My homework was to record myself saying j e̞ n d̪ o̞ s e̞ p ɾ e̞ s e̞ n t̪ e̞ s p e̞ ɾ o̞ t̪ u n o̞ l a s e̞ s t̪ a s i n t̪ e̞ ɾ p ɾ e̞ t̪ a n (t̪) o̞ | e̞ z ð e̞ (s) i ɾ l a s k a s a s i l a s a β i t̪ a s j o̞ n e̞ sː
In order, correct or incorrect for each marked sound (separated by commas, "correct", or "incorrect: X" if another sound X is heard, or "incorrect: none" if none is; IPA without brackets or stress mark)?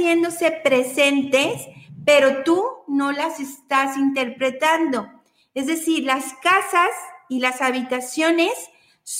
incorrect: d̪, correct